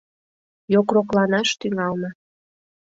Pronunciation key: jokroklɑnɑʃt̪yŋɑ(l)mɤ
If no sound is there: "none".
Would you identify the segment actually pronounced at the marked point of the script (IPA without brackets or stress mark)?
l